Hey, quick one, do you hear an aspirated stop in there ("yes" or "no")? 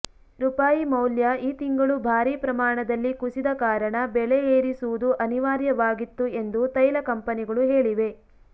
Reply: no